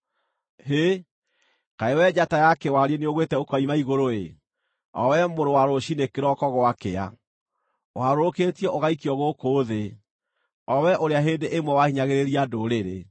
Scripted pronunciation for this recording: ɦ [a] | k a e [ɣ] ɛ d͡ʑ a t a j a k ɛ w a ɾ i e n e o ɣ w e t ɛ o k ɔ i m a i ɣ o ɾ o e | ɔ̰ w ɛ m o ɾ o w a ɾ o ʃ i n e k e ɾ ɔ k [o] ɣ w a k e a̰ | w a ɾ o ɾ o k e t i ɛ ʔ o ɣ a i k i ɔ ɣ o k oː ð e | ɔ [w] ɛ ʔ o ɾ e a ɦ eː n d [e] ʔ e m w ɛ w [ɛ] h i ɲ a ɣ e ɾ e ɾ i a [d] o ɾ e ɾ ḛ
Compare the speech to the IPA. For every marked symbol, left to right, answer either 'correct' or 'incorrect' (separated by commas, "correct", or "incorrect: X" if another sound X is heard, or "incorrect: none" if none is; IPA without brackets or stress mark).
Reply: incorrect: e, incorrect: w, incorrect: ɔ, correct, correct, incorrect: a, correct